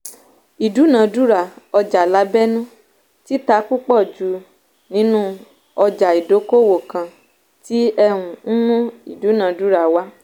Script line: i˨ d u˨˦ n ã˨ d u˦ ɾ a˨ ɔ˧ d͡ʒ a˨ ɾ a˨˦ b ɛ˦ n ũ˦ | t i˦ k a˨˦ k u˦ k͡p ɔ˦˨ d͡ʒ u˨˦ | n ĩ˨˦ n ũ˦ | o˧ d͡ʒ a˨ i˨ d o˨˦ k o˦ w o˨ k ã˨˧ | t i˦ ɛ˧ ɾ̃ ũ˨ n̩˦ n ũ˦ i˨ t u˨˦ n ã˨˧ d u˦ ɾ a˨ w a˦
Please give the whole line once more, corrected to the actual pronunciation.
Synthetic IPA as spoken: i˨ d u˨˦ n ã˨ d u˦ ɾ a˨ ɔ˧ d͡ʒ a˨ l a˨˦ b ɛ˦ n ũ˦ | t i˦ t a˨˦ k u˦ k͡p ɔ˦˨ d͡ʒ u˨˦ | n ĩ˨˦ n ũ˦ | ɔ˧ d͡ʒ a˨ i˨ d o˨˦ k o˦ w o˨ k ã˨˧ | t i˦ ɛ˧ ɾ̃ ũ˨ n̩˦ n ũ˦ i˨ d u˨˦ n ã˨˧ d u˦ ɾ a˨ w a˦